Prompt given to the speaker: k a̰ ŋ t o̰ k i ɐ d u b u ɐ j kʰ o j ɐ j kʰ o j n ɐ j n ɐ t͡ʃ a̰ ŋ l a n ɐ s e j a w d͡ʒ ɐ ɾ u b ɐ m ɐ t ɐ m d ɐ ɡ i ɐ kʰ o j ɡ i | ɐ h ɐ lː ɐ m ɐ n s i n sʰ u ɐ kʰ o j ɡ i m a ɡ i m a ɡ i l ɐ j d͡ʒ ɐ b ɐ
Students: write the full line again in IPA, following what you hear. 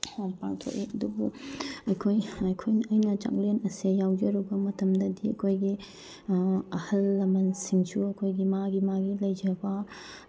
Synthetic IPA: p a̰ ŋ tʰ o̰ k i ɐ d u b u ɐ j kʰ o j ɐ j kʰ o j n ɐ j n ɐ t͡ʃ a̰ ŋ l e n ɐ s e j a w d͡ʒ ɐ ɾ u b ɐ m ɐ t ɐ m d ɐ d i ɐ kʰ o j ɡ i | ɐ h ɐ lː ɐ m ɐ n s i ŋ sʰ u ɐ kʰ o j ɡ i m a ɡ i m a ɡ i l ɐ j d͡ʒ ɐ b ɐ

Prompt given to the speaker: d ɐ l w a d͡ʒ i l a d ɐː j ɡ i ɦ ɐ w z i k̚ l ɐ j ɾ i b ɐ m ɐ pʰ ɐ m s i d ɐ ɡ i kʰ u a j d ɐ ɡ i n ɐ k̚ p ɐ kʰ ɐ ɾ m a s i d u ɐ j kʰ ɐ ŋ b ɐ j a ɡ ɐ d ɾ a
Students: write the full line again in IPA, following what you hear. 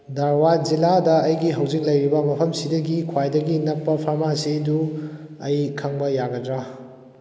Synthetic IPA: d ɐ ɾ w a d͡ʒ i l a d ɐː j ɡ i ɦ ɐ w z i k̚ l ɐ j ɾ i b ɐ m ɐ pʰ ɐ m s i d ɐ ɡ i kʰ w a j d ɐ ɡ i n ɐ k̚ p ɐ pʰ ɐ ɾ m a s i d u ɐ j kʰ ɐ ŋ b ɐ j a ɡ ɐ d ɾ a

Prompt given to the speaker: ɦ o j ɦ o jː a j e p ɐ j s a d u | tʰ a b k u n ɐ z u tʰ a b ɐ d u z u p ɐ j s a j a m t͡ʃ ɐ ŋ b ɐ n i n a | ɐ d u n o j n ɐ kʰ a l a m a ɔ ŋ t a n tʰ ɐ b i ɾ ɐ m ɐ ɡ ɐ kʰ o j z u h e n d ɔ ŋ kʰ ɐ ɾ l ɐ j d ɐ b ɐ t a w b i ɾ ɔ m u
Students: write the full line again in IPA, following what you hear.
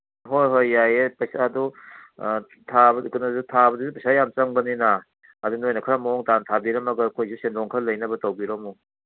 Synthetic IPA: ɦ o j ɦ o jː a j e p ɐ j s a d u | tʰ a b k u n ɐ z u tʰ a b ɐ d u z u p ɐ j s a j a m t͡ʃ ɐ ŋ b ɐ n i n a | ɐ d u n o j n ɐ kʰ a ɾ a m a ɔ ŋ t a n tʰ a b i ɾ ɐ m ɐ ɡ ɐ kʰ o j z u s e n d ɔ ŋ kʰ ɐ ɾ l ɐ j n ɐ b ɐ t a w b i ɾ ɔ m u

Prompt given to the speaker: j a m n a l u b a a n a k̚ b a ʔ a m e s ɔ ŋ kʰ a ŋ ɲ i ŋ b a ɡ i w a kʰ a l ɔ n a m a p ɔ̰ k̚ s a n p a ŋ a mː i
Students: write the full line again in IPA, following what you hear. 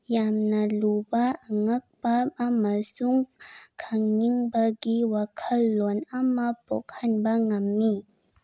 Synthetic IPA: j a m n a l u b a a ŋ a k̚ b a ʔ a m a s u ŋ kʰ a ŋ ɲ i ŋ b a ɡ i w a kʰ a l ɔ n a m a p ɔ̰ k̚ h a n b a ŋ a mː i

